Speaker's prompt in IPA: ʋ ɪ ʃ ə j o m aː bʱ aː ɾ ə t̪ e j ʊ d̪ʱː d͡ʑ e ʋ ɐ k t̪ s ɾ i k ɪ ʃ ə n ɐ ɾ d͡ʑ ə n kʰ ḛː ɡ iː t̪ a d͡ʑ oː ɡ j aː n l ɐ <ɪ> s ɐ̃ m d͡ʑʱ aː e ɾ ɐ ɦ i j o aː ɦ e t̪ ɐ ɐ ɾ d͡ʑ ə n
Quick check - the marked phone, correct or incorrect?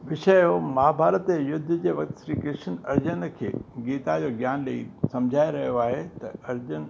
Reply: incorrect: i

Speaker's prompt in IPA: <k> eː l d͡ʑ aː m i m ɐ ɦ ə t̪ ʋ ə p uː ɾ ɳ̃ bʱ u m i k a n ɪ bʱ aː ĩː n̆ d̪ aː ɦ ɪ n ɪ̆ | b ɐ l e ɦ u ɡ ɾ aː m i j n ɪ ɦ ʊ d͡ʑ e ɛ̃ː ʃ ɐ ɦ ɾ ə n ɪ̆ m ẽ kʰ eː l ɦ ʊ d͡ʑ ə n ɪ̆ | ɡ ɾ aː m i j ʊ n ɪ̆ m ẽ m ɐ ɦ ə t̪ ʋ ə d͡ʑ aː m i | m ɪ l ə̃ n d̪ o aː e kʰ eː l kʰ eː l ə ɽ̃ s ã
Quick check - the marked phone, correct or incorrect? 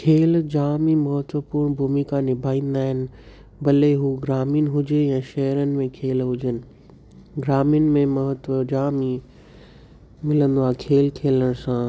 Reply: incorrect: kʰ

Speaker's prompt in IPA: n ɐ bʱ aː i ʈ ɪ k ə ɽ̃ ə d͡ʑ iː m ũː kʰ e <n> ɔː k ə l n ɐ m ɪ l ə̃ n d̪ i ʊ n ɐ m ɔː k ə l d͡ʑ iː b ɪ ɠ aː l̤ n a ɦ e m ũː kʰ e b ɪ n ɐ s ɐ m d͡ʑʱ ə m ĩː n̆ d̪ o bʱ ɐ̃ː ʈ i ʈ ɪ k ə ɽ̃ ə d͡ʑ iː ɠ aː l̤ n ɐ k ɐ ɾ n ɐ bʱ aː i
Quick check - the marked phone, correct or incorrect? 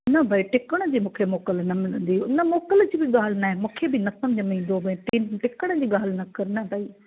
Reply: incorrect: m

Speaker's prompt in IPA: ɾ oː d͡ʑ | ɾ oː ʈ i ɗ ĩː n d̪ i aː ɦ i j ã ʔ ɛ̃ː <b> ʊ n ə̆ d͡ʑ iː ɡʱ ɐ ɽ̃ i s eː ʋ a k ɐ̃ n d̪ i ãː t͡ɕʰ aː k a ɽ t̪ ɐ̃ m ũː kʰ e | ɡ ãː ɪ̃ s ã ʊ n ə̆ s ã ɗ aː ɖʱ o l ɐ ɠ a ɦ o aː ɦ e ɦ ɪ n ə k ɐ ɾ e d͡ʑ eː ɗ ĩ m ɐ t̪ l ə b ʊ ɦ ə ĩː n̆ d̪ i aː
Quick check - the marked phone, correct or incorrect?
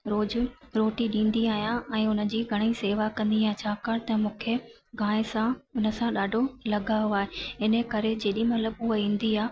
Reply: incorrect: none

